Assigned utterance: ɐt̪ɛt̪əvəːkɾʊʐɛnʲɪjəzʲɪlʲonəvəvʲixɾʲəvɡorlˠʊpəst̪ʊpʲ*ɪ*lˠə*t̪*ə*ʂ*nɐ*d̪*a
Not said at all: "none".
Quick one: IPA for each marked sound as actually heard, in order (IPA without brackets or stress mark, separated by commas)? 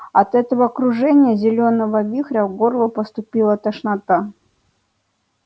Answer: i, t̪, ʂ, t̪